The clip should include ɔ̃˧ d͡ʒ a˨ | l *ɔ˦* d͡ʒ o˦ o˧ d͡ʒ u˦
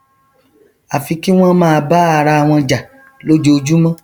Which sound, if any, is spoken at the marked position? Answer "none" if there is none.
o˦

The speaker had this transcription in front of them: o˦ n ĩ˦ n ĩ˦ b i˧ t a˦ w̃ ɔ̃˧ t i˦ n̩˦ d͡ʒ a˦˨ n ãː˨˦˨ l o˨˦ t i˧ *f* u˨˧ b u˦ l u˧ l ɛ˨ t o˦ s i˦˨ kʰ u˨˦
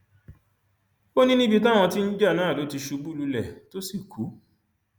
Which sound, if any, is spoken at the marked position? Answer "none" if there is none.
ʃ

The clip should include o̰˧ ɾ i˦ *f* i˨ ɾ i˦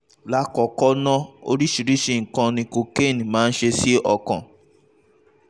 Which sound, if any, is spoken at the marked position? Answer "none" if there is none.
ʃ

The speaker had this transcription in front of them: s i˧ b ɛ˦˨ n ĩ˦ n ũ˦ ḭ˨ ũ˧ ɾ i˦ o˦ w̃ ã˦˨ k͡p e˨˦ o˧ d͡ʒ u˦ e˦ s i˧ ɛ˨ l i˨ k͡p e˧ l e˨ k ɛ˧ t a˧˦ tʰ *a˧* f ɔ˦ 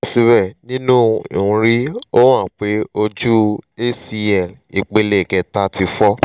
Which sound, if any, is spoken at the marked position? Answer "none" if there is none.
i˧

